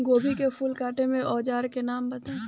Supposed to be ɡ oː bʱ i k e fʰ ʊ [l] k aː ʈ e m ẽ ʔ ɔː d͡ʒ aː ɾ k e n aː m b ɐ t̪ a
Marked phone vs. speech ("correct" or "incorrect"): correct